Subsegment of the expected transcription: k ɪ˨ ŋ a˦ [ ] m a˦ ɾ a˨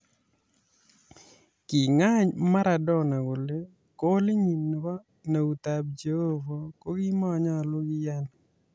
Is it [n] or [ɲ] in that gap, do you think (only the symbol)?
ɲ